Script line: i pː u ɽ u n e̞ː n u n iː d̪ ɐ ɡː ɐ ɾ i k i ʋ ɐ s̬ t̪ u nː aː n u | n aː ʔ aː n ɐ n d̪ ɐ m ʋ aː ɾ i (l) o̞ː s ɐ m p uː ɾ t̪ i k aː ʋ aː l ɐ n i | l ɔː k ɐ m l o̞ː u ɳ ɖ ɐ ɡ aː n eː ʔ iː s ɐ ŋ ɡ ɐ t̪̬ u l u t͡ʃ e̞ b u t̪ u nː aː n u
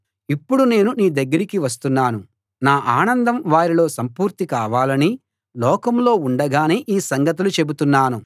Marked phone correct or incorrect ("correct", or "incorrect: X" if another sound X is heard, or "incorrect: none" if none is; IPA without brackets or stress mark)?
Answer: correct